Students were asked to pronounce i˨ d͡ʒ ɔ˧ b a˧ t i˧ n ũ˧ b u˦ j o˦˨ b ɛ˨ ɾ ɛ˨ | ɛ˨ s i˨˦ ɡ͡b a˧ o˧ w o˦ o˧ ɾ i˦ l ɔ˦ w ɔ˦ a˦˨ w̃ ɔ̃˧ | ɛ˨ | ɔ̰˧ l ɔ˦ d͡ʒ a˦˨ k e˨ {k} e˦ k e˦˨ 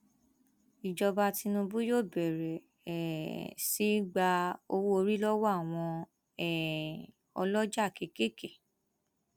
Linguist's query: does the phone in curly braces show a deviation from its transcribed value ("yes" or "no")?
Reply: no